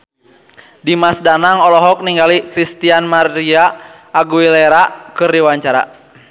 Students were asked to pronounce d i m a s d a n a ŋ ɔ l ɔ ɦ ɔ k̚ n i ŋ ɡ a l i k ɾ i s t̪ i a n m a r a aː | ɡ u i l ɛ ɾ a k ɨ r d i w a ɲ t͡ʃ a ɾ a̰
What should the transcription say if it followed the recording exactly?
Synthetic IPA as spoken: d i m a s d a n a ŋ ɔ l ɔ ɦ ɔ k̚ n i ŋ ɡ a l i k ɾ i s t̪ i a n m a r i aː | ɡ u i l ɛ ɾ a k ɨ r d i w a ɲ t͡ʃ a ɾ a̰